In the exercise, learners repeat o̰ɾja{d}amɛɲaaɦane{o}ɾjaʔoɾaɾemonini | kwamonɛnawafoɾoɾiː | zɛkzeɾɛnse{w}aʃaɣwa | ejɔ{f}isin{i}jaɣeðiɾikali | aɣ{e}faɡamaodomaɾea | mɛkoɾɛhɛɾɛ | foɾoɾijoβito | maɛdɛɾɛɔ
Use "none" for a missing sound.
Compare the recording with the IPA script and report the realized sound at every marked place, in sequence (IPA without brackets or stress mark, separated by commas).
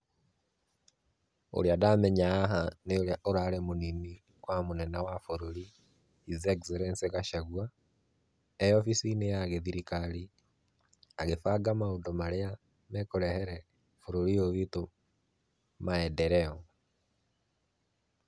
d, o, ɣ, f, e, e